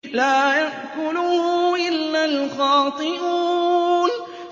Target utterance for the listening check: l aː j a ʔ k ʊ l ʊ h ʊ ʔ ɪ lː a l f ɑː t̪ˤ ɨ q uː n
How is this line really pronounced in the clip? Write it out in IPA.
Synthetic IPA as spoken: l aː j a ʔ k ʊ l ʊ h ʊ ʔ ɪ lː a l x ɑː t̪ˤ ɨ ʔ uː n